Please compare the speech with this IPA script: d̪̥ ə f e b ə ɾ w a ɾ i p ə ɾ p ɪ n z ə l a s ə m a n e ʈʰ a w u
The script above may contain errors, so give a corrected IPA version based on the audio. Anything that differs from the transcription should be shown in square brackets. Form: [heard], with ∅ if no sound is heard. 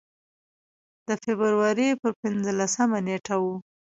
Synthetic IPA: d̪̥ ə f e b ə ɾ w a ɾ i p ə ɾ p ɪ n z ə l a s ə m a n e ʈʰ a w u